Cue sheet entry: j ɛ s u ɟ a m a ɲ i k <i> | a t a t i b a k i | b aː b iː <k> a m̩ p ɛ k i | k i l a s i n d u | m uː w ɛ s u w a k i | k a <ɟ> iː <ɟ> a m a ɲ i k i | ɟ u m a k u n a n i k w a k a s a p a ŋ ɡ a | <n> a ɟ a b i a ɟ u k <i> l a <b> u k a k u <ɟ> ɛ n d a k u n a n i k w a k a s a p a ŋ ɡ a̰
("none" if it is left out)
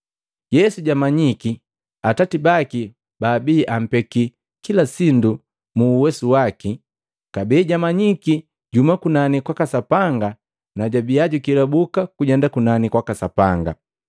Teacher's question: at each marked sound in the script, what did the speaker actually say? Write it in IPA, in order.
i, ʔ, b, ɟ, n, i, b, ɟ

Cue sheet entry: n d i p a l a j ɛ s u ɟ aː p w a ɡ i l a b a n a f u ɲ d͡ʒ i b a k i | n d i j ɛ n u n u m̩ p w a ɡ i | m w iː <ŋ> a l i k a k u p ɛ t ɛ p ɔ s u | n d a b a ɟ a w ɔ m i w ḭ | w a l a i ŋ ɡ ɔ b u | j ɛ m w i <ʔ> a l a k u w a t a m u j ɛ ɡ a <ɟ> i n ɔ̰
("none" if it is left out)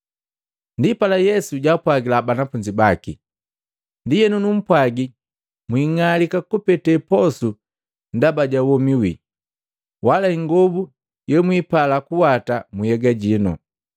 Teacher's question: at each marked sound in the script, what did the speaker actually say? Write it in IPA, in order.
ŋ, p, ɟ

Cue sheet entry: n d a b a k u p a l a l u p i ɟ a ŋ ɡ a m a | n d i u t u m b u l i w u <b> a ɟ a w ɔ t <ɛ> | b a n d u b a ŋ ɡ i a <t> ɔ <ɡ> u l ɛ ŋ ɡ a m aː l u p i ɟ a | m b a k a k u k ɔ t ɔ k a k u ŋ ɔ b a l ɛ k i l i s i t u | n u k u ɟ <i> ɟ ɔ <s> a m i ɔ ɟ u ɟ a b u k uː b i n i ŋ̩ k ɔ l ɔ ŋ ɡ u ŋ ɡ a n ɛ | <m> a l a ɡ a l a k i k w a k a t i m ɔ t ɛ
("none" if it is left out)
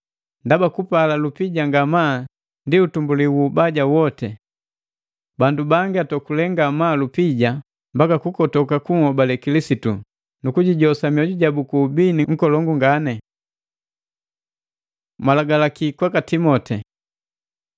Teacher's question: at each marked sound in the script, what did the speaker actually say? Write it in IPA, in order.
b, ɛ, t, k, i, s, m

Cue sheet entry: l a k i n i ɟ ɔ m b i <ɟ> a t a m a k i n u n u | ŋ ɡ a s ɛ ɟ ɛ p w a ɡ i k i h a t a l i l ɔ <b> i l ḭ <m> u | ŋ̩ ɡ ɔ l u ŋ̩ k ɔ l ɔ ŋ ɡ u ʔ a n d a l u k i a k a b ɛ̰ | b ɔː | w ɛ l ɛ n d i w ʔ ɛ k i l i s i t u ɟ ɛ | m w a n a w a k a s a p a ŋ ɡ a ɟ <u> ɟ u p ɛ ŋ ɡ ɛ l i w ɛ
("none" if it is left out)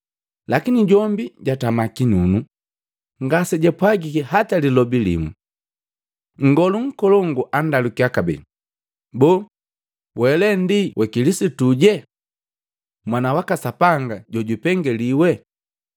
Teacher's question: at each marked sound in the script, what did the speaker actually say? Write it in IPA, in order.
ɟ, b, m, ɔ

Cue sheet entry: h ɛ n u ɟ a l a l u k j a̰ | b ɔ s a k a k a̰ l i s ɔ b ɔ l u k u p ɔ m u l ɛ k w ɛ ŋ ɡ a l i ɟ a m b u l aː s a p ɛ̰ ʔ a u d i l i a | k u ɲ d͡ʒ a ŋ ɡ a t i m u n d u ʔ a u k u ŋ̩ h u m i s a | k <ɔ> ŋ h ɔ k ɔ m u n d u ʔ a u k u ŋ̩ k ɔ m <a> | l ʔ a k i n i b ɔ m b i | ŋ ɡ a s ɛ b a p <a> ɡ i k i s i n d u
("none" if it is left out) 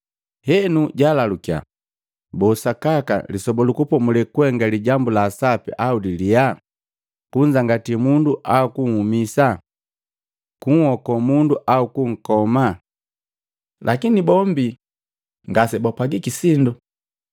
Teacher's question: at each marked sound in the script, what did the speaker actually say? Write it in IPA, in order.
u, a, a

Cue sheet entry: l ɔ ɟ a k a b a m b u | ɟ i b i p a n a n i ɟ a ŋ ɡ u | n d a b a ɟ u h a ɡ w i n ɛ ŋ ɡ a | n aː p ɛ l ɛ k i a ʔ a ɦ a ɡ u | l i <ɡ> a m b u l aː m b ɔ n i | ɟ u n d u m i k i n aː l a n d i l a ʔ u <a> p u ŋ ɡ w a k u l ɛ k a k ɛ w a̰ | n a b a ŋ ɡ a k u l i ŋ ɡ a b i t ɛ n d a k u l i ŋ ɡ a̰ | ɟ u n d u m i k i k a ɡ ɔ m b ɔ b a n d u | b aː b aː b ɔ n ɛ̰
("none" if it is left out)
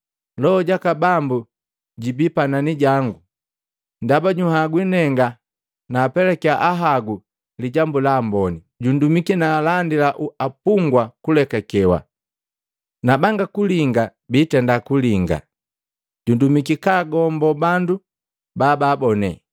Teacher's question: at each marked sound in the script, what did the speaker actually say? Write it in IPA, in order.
ɟ, a

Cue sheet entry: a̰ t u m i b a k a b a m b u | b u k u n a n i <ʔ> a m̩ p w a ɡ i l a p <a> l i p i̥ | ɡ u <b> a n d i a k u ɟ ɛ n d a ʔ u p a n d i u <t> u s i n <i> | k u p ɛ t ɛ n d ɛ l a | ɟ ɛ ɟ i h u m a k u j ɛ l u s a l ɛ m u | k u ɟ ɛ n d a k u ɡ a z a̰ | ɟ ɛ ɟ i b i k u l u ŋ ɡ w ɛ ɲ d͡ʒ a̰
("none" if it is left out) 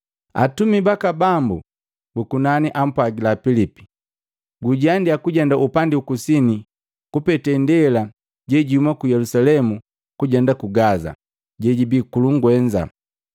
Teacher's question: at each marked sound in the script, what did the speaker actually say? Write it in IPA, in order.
ʔ, i, ɟ, k, i

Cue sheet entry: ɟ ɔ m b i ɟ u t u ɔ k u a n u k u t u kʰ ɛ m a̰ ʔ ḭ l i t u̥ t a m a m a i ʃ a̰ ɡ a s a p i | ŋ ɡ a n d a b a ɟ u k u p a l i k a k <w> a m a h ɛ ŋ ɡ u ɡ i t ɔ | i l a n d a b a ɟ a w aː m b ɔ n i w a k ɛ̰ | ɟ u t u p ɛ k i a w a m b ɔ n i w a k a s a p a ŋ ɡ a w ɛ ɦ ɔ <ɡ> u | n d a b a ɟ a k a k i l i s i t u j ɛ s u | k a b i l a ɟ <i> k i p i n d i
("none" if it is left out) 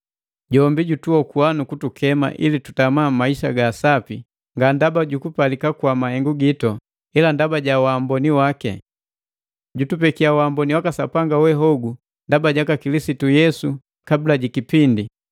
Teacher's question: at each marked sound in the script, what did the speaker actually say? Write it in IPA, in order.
w, ɡ, i

